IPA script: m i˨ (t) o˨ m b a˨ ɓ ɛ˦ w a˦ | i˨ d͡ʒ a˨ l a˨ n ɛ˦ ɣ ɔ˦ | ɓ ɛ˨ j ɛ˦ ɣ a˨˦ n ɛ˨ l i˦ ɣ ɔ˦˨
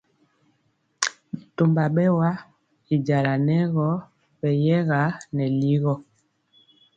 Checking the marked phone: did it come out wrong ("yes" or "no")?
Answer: no